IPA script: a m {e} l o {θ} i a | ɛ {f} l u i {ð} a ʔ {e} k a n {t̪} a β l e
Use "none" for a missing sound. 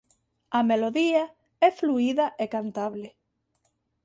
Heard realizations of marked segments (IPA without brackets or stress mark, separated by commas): e, ð, f, ð, e, t̪